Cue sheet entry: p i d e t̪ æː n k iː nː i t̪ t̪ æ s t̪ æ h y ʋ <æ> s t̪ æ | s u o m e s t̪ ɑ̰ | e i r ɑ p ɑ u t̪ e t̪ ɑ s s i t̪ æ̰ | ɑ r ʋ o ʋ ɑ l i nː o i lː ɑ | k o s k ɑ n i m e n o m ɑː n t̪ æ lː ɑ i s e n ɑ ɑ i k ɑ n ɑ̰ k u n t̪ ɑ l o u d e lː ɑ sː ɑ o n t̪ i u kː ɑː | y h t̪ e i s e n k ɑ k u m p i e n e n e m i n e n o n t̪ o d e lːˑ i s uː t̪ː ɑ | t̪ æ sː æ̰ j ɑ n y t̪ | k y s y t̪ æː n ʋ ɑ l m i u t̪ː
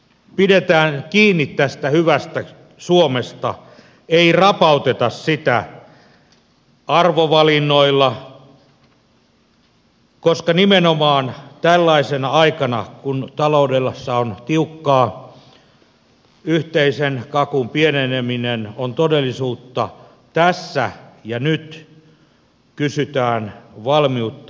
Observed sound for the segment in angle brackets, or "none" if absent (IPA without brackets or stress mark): æ